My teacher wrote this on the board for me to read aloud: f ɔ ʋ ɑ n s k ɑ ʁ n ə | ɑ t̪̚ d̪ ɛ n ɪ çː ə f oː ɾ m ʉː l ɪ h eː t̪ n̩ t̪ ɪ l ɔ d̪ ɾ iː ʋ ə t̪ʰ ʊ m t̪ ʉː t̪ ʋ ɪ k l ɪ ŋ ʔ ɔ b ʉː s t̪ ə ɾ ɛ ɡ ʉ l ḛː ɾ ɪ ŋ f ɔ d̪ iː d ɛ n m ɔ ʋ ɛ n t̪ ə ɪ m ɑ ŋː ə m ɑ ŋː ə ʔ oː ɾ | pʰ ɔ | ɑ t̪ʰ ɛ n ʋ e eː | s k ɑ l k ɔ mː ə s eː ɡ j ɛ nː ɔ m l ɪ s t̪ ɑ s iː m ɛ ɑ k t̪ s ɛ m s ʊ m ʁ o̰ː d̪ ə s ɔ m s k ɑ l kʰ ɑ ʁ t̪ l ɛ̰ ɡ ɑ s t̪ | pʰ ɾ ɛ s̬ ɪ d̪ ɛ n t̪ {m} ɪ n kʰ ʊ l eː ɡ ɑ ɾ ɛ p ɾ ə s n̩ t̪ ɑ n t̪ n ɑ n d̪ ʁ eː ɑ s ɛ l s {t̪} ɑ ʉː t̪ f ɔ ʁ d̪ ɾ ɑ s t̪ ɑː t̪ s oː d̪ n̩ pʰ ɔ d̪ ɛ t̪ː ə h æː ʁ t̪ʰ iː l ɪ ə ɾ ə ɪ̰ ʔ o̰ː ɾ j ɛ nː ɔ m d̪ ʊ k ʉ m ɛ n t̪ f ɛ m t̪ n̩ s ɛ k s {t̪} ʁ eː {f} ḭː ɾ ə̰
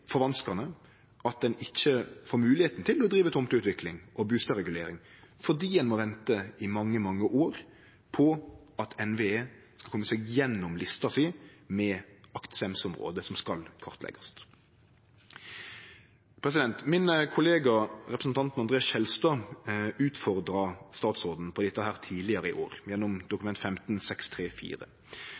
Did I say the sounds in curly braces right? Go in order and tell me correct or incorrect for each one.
correct, correct, incorrect: t̪ʰ, correct

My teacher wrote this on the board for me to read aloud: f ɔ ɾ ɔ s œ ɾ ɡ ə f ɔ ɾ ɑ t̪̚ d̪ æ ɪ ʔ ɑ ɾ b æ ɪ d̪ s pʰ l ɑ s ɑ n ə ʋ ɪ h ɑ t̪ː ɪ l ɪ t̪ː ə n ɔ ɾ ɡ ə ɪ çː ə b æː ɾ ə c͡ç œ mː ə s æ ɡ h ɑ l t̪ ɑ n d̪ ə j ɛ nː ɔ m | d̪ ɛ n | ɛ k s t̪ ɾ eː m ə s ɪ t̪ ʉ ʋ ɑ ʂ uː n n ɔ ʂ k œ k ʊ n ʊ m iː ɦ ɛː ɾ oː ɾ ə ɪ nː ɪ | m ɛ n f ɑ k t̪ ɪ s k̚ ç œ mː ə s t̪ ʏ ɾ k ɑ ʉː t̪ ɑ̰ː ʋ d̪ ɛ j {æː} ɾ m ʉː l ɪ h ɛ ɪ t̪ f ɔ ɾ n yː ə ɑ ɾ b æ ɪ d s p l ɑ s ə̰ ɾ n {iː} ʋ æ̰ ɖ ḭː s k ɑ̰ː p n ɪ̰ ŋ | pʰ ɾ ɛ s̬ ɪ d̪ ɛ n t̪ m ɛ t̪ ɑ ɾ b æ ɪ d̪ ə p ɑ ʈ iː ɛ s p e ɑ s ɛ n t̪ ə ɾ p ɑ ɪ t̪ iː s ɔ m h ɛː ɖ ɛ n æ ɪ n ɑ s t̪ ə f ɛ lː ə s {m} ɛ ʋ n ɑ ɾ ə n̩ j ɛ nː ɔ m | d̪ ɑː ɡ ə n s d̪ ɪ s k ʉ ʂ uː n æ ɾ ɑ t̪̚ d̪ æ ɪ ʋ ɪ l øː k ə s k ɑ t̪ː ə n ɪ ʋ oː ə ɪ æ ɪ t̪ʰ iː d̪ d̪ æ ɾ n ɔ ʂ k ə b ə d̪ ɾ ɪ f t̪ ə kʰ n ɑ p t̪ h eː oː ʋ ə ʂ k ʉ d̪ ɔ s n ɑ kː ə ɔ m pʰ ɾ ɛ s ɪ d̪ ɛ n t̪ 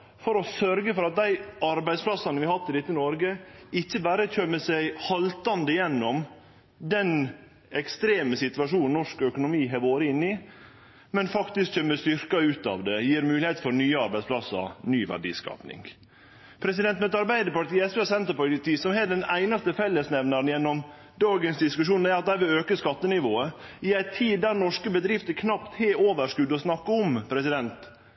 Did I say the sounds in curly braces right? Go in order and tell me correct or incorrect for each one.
incorrect: iː, incorrect: yː, incorrect: n

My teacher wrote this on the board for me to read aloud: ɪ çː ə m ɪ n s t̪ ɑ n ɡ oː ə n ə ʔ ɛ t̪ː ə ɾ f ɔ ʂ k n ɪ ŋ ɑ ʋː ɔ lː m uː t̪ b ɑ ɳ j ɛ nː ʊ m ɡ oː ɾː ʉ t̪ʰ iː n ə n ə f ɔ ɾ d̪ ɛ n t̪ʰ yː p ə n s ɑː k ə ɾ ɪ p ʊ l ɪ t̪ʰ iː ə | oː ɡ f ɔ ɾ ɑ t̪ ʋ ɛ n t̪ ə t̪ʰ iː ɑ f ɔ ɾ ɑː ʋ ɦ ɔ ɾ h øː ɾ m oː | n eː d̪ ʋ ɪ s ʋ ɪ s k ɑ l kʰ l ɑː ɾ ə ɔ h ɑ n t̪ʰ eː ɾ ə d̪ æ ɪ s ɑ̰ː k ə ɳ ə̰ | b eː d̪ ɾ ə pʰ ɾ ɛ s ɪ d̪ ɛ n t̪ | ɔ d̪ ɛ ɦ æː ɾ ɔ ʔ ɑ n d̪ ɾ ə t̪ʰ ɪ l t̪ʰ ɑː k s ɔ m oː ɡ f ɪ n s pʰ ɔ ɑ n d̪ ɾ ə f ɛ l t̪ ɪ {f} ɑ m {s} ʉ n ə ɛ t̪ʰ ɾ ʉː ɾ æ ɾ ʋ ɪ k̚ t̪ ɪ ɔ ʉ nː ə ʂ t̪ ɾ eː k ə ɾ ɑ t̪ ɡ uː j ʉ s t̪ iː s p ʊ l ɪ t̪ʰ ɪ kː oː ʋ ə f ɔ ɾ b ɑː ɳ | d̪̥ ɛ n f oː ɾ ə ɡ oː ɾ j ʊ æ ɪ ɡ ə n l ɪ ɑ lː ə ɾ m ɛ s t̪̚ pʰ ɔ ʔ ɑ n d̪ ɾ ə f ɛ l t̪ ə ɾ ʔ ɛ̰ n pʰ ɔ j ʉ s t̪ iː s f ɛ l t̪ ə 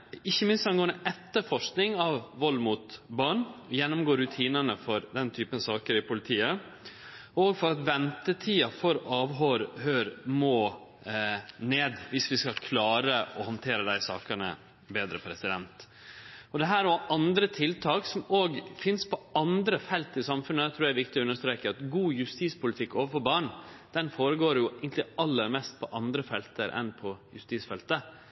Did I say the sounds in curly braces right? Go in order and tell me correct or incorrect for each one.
incorrect: s, incorrect: f

